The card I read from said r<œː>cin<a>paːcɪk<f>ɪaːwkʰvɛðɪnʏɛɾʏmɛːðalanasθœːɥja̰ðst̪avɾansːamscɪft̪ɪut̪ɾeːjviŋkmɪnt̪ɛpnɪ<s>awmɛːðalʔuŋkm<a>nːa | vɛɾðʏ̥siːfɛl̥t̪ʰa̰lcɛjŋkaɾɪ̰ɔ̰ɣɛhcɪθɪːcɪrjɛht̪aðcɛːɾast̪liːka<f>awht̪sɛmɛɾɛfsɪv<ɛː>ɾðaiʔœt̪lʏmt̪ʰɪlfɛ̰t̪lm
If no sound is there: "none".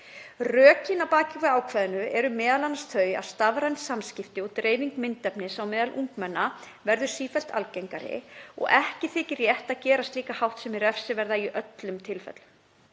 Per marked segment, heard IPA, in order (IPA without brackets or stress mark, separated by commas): œː, a, v, s, ɛ, h, ɛ